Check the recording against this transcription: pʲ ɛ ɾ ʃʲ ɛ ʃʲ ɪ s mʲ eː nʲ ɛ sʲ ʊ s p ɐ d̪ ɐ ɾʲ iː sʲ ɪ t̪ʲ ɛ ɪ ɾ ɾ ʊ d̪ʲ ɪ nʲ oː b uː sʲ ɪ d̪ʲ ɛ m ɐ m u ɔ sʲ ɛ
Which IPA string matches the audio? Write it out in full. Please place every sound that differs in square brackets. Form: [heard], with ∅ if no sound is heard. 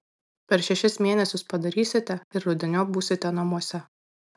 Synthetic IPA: pʲ ɛ ɾ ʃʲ ɛ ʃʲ ɪ s mʲ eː nʲ ɛ sʲ ʊ s p ɐ d̪ ɐ ɾʲ iː sʲ ɪ t̪ʲ ɛ ɪ ɾ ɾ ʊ d̪ʲ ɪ nʲ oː b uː sʲ ɪ [t̪ʲ] ɛ [n] ɐ m u ɔ sʲ ɛ